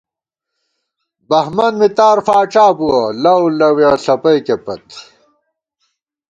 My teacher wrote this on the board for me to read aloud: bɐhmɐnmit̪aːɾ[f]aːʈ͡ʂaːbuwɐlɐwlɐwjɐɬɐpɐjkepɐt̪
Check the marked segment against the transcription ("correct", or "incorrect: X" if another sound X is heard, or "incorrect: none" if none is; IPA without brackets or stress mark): correct